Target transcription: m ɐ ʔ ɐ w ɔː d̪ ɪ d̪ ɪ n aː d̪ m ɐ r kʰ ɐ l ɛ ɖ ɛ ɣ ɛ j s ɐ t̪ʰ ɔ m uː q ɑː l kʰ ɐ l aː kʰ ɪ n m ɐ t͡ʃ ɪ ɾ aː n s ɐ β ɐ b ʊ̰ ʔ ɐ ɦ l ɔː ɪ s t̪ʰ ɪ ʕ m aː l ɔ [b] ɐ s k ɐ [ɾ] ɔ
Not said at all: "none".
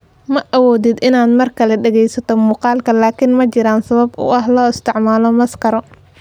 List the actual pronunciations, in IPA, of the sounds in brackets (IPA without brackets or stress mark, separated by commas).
m, ɾ